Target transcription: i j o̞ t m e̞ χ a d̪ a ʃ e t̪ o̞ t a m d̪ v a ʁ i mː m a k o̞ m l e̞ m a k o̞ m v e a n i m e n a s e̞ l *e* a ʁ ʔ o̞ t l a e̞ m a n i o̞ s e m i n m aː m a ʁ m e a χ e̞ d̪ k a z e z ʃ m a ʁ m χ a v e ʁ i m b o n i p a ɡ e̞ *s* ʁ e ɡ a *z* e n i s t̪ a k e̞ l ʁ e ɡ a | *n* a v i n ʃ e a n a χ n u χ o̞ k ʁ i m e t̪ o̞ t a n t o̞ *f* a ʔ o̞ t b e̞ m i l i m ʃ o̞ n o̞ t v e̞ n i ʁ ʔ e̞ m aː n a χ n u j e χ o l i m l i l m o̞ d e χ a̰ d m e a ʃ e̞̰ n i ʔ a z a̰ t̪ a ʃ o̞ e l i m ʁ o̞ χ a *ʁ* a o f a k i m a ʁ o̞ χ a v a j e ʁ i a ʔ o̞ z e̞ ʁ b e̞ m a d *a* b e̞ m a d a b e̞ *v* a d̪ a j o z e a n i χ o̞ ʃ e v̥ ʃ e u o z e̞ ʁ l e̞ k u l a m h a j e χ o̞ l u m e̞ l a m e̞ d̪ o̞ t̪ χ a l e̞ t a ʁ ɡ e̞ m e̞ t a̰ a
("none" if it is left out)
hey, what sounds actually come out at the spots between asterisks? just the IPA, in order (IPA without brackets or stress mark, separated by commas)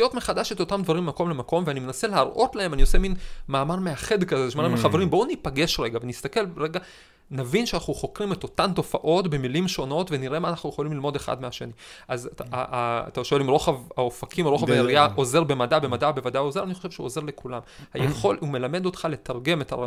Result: e, ʃ, v, n, f, v, a, v